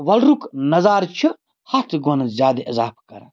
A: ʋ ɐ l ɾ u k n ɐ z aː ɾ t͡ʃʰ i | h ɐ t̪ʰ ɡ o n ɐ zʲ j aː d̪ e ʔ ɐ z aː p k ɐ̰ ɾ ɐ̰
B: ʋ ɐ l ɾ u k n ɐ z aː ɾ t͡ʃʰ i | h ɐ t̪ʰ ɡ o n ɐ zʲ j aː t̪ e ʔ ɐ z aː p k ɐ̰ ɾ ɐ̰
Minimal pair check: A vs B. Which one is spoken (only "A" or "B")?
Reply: A